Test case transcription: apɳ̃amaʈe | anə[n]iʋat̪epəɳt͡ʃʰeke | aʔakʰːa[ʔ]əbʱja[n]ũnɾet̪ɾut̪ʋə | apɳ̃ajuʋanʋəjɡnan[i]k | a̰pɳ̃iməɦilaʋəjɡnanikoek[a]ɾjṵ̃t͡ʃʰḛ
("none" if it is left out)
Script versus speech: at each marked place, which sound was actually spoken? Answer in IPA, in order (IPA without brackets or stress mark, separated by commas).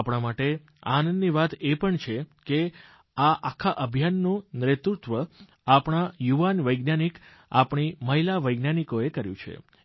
nː, ʔ, nː, i, ə